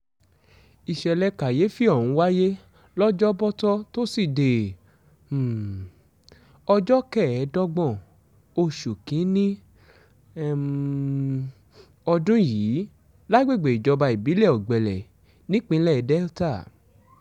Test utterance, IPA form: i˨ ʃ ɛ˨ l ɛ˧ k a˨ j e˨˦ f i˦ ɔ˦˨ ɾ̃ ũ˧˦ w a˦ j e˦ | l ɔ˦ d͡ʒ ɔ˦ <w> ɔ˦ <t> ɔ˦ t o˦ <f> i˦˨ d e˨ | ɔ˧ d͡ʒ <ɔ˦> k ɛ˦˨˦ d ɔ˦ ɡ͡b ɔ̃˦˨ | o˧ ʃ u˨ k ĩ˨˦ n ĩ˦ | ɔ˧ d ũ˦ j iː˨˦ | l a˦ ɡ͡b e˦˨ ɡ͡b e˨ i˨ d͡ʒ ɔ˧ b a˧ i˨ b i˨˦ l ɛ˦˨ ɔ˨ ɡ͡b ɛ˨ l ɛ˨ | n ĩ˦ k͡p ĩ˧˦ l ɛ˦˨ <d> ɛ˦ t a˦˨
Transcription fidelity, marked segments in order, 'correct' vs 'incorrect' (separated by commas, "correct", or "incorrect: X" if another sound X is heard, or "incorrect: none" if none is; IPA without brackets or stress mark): incorrect: b, correct, incorrect: s, correct, correct